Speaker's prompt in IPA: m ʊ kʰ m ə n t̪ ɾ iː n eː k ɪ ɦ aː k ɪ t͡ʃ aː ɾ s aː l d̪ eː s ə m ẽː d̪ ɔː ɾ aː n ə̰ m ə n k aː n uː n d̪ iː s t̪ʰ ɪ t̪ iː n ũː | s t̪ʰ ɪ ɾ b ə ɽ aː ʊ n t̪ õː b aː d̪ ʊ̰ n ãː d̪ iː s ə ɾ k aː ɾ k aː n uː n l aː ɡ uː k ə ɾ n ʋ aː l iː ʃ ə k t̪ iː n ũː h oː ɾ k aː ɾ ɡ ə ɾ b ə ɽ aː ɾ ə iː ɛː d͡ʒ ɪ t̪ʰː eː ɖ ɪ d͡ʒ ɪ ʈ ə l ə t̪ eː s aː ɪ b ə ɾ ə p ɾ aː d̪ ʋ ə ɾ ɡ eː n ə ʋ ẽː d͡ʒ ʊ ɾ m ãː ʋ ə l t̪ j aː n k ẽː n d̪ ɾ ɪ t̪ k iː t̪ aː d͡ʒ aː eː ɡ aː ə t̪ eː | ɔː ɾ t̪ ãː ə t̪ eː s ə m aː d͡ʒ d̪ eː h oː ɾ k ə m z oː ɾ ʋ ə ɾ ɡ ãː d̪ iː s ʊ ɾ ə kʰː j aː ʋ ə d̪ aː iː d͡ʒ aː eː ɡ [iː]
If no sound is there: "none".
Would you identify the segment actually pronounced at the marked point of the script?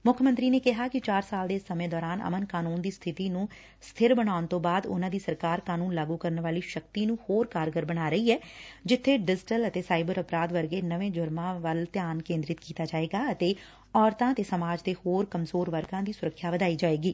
iː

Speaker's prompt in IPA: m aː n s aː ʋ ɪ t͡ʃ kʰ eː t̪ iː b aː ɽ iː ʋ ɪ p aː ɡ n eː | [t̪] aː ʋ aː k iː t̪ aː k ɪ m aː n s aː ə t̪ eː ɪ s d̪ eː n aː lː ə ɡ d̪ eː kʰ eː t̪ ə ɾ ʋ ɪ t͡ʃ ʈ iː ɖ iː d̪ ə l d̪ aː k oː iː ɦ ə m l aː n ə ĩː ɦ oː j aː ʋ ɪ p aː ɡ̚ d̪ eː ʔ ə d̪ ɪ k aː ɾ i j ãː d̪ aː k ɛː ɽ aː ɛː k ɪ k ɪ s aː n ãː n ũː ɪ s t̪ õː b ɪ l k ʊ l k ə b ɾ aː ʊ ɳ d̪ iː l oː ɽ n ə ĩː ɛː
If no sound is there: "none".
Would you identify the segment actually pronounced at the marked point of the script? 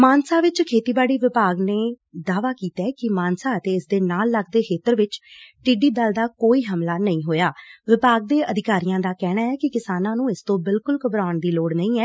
d̪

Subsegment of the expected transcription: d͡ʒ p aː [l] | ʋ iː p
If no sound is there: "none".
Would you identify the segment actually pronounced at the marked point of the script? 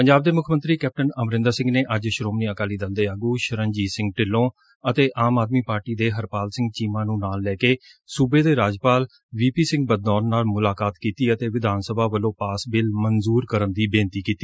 l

